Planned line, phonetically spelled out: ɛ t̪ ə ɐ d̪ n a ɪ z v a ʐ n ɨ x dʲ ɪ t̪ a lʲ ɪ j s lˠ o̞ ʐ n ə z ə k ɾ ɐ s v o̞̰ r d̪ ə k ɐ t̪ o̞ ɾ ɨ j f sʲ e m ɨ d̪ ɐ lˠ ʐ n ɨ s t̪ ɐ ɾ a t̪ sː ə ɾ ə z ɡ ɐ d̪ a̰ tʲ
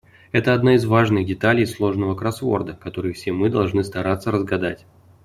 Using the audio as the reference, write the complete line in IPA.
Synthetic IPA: ɛ t̪ ə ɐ d̪ n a ɪ z v a ʐ n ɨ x dʲ ɪ t̪ a lʲ ɪ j s lˠ o̞ ʐ n ə v ə k ɾ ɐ s v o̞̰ r d̪ ə k ɐ t̪ o̞ ɾ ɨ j f sʲ e m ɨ d̪ ɐ lˠ ʐ n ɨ s t̪ ɐ ɾ a t̪ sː ə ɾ ə z ɡ ɐ d̪ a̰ tʲ